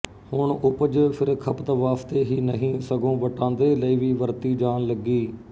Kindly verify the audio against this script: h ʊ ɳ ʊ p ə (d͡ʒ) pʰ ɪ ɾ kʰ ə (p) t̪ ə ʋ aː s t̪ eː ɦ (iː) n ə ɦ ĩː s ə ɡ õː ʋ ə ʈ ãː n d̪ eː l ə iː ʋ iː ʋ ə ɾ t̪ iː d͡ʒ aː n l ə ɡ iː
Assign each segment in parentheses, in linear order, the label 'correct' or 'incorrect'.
correct, correct, correct

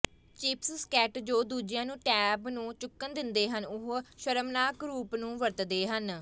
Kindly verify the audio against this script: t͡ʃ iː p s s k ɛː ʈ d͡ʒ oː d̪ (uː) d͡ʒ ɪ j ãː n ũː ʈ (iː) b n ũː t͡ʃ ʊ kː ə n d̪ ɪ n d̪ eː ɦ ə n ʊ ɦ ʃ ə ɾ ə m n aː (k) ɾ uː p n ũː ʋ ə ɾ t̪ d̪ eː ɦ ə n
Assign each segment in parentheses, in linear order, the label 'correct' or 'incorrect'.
correct, incorrect, correct

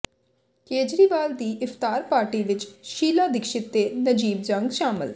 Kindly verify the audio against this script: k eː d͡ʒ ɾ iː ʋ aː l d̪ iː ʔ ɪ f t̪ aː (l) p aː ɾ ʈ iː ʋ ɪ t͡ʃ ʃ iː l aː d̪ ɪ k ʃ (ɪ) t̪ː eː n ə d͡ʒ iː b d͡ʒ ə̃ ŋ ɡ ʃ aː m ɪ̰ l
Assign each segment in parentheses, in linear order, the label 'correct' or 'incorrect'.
incorrect, correct

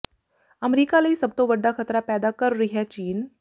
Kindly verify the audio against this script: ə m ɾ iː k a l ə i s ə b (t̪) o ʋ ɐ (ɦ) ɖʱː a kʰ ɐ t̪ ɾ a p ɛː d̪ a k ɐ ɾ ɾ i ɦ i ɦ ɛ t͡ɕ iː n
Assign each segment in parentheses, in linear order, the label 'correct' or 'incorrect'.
correct, incorrect

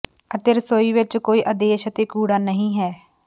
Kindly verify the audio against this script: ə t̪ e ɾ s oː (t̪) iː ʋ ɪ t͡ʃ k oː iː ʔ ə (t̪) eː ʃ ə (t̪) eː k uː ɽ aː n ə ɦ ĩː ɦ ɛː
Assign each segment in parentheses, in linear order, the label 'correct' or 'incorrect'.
incorrect, incorrect, correct

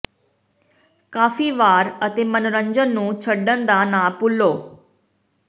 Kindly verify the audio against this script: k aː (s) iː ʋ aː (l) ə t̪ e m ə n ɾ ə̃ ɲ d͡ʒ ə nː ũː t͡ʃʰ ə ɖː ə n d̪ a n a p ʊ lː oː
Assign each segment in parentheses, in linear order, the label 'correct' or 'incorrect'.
incorrect, incorrect

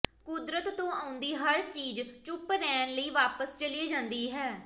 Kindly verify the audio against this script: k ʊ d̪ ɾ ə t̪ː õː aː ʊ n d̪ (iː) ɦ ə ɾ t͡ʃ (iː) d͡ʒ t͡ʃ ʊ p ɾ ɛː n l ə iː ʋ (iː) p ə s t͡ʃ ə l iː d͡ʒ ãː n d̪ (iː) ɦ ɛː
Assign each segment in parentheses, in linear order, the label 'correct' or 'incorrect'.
correct, correct, incorrect, correct

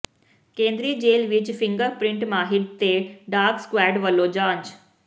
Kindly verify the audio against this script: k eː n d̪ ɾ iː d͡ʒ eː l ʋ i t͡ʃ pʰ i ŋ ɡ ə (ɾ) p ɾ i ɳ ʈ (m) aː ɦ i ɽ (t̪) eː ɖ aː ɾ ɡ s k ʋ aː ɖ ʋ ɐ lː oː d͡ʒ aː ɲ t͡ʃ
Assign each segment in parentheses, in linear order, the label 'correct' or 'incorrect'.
correct, correct, correct

